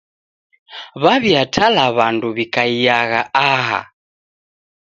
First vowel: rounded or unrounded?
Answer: unrounded